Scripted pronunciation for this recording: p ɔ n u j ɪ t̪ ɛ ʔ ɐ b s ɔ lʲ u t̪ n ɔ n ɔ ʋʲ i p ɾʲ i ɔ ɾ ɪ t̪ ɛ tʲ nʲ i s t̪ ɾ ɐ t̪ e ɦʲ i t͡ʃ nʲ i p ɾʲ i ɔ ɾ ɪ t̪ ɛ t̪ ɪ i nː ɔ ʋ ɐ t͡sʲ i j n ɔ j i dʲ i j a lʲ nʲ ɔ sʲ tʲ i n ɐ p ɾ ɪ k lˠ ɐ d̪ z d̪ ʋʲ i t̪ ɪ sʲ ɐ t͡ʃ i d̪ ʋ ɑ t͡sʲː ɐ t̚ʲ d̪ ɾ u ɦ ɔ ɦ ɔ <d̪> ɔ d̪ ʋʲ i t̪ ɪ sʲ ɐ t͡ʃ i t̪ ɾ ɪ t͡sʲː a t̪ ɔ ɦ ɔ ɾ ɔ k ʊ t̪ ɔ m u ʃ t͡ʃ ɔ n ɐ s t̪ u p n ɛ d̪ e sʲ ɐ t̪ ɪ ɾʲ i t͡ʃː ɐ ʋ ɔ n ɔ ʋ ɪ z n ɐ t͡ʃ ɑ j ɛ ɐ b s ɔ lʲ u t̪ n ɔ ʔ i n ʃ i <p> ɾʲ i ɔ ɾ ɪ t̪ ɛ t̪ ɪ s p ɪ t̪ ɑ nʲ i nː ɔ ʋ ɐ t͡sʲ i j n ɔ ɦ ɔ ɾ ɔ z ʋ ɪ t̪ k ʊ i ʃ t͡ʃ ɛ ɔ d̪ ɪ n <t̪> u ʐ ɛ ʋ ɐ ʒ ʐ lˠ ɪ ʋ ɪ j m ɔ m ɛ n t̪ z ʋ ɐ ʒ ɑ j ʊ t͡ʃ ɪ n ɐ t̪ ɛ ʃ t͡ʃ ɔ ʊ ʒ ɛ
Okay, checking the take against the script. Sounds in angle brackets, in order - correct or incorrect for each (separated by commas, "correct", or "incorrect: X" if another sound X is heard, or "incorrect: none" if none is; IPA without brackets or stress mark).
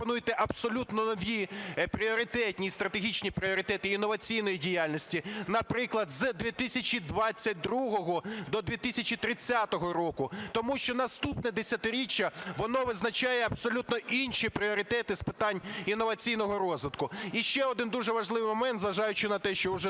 correct, correct, incorrect: d̪